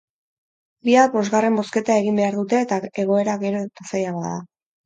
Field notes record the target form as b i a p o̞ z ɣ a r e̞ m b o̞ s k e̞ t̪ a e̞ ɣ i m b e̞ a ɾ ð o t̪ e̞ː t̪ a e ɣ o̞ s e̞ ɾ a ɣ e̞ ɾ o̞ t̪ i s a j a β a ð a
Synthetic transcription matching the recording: b i a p o̞ z ɣ a r e̞ m b o̞ s k e̞ t̪ a e̞ ɣ i m b e̞ a ɾ ð u t̪ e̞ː t̪ a e ɣ o̞ e̞ ɾ a ɣ e̞ ɾ o̞ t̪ a s a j a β a ð a

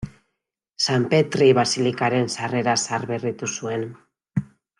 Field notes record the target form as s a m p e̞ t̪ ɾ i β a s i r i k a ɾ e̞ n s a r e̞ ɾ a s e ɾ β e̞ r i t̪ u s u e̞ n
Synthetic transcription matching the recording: s a m p e̞ t̪ ɾ i β a s i l i k a ɾ e̞ n s a r e̞ ɾ a s a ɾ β e̞ r i t̪ u s u e̞ n

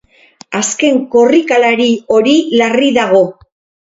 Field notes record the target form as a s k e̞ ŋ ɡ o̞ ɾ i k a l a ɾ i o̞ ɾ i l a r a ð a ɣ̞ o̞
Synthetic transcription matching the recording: a s k e̞ ŋ k o̞ r i k a l a ɾ i o̞ ɾ i l a r i ð a ɣ̞ o̞

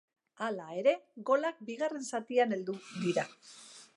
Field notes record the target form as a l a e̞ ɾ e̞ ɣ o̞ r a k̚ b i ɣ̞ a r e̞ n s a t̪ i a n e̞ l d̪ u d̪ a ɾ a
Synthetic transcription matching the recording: a l a e̞ ɾ e̞ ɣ o̞ l a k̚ b i ɣ̞ a r e̞ n s a t̪ i a n e̞ l d̪ u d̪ i ɾ a

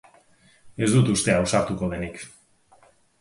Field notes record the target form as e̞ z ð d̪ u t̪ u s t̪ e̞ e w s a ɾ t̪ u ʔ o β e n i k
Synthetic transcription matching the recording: e̞ z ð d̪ u t̪ u s t̪ e̞ a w s a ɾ t̪ u k o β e n i k

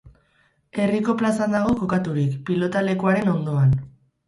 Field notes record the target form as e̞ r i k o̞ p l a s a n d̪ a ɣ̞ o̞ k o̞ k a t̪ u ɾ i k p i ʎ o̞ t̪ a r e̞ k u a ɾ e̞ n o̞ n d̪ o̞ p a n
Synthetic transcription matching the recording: e̞ r i k o̞ p l a s a n d̪ a ɣ̞ o̞ k o̞ k a t̪ u ɾ i k p i l o̞ t̪ a l e̞ k u a ɾ e̞ n o̞ n d̪ o̞ a n

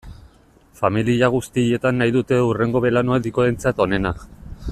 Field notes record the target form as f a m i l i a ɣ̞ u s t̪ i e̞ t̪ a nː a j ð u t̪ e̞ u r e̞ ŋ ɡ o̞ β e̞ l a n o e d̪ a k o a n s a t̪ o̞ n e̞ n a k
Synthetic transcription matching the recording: f a m i l i a ɣ̞ u s t̪ i e̞ t̪ a nː a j ð u t̪ e̞ u r e̞ ŋ ɡ o̞ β e̞ l a n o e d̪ i k o e n t͡s a t̪ o̞ n e̞ n a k

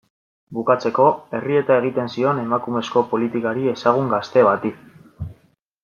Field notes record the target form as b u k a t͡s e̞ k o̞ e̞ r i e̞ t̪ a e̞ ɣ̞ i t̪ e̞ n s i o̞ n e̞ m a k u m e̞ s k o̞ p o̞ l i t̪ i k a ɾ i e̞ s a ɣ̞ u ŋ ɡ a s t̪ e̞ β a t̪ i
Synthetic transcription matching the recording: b u k a t͡s e̞ k o̞ e̞ r i e̞ t̪ a e̞ ɣ̞ i t̪ e̞ n s i o̞ n e̞ m a k u m e̞ s k o̞ p o̞ l i t̪ i k a ɾ i e̞ s a ɣ̞ u ŋ ɡ a s t̪ e̞ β a t̪ i

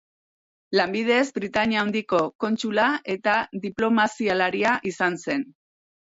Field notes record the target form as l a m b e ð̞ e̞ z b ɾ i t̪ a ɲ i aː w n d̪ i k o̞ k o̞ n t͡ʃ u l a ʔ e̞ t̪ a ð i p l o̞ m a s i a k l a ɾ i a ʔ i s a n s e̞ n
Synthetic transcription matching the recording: l a m b i ð̞ e̞ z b ɾ i t̪ a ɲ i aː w n d̪ i k o̞ k o̞ n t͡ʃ u l a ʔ e̞ t̪ a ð i p l o̞ m a s i a l a ɾ i a ʔ i s a n s e̞ n

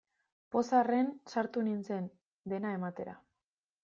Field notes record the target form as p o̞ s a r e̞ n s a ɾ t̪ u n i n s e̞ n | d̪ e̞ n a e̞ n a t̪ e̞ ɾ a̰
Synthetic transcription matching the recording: p o̞ s a r e̞ n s a ɾ t̪ u n i n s e̞ n | d̪ e̞ n a e̞ m a t̪ e̞ ɾ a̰

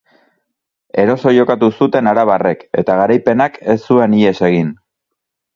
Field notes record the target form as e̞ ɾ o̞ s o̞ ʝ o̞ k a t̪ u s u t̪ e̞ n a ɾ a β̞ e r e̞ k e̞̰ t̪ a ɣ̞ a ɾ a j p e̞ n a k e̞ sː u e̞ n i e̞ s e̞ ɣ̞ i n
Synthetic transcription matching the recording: e̞ ɾ o̞ s o̞ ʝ o̞ k a t̪ u s u t̪ e̞ n a ɾ a β̞ a r e̞ k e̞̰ t̪ a ɣ̞ a ɾ a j p e̞ n a k e̞ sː u e̞ n i e̞ s e̞ ɣ̞ i n

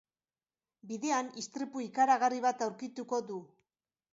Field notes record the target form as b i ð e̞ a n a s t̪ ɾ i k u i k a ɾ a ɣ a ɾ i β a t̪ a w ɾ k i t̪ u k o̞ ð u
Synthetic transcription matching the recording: b i ð e̞ a n i s t̪ ɾ i p u i k a ɾ a ɣ a r i β a t̪ a w ɾ k i t̪ u k o̞ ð u

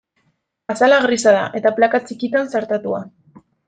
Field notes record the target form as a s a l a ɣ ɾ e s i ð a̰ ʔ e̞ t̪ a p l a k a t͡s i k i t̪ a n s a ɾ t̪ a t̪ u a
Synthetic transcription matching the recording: a s a l a ɣ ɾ i s a ð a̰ ʔ e̞ t̪ a p l a k a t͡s i k i t̪ a n s a ɾ t̪ a t̪ u a

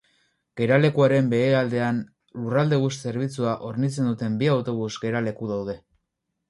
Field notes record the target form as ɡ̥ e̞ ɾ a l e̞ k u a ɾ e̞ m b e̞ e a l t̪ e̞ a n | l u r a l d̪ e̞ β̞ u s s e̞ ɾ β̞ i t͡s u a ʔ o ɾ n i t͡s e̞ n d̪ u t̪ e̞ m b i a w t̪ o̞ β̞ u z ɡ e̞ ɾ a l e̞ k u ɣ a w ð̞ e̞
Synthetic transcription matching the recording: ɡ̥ e̞ ɾ a l e̞ k u a ɾ e̞ m b e̞ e a l d̪ e̞ a n | l u r a l d̪ e̞ β̞ u s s e̞ ɾ β̞ i t͡s u a ʔ o ɾ n i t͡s e̞ n d̪ u t̪ e̞ m b i a w t̪ o̞ β̞ u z ɡ e̞ ɾ a l e̞ k u ð a w ð̞ e̞

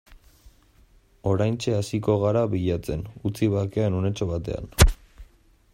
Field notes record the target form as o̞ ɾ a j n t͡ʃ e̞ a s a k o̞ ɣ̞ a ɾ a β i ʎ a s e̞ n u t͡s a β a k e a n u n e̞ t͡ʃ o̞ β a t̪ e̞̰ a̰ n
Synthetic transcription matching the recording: o̞ ɾ a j n t͡ʃ e̞ a s i k o̞ ɣ̞ a ɾ a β i ʎ a t͡s e̞ n u t͡s i β a k e a n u n e̞ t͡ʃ o̞ β a t̪ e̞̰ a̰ n

